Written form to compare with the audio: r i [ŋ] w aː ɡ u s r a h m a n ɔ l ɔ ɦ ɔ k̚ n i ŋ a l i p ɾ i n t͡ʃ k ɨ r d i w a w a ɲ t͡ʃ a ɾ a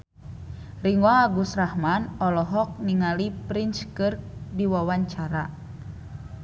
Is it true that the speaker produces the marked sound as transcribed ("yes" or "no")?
yes